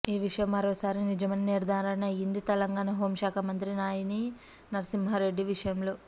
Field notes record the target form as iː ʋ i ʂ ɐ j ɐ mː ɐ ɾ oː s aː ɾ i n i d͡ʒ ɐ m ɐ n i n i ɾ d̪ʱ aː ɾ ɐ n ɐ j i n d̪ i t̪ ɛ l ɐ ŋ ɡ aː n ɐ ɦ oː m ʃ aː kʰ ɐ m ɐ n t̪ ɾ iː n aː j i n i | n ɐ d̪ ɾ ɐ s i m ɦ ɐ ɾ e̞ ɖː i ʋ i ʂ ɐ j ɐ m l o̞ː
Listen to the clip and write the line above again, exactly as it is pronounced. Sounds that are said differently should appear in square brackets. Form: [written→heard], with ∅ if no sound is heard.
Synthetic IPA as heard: iː ʋ i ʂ ɐ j ɐ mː ɐ ɾ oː s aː ɾ i n i d͡ʒ ɐ m ɐ n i n i ɾ d̪ʱ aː ɾ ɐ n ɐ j i n d̪ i t̪ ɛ l ɐ ŋ ɡ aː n ɐ ɦ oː m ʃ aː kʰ ɐ m ɐ n t̪ ɾ [iː→i] n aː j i n i | n ɐ [d̪→∅] ɾ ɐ s i m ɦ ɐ ɾ e̞ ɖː i ʋ i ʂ ɐ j ɐ m l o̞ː